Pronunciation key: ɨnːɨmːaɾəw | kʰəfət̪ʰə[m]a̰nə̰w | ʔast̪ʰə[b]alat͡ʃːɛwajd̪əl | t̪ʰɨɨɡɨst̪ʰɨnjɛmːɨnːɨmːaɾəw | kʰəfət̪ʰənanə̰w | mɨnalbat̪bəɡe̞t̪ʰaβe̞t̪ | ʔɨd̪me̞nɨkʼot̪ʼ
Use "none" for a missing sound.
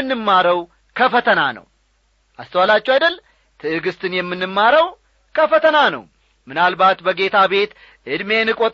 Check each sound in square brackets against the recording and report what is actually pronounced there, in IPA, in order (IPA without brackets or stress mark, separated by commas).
n, w